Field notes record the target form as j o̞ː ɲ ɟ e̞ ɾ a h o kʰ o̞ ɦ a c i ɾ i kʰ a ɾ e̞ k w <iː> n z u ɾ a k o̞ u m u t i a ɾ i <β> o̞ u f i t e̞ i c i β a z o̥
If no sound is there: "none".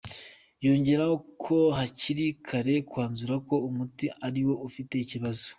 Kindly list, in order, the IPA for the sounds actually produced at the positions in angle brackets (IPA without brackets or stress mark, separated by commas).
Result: aː, w